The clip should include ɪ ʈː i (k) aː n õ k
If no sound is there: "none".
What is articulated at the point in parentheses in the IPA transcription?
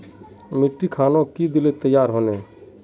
kʰ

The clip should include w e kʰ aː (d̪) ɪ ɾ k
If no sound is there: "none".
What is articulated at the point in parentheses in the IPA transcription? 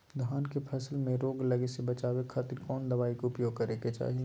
t̪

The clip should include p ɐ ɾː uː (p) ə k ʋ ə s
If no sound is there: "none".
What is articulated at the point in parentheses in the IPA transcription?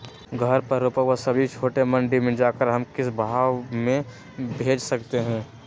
p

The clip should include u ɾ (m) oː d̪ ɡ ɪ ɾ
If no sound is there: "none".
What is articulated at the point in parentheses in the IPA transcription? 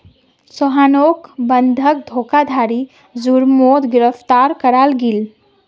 m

